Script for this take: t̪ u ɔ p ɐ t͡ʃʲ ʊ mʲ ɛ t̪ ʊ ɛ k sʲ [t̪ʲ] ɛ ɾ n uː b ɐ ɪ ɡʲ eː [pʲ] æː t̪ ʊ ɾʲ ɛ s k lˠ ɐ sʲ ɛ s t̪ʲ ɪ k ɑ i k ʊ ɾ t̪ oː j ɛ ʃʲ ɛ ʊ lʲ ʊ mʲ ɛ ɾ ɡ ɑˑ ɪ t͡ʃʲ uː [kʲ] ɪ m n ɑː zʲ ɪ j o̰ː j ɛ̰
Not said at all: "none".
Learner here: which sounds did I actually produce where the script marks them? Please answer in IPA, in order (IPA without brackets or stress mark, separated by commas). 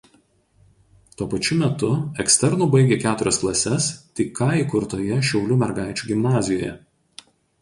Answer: t̪ʲ, kʲ, ɡʲ